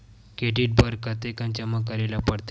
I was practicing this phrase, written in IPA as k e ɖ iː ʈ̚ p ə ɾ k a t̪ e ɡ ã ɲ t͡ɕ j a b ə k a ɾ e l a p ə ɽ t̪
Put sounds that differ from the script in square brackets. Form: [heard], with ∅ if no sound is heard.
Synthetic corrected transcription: k e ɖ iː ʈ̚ [b] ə ɾ k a t̪ e [k] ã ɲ t͡ɕ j a [m] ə k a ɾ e l a p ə ɽ t̪